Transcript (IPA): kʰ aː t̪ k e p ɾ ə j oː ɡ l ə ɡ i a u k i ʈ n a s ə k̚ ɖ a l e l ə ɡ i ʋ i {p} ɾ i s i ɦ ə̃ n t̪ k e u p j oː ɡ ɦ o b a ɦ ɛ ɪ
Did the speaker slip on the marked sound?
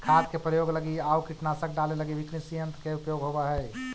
yes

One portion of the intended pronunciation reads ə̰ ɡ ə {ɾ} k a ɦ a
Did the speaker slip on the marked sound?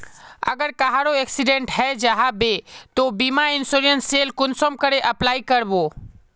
no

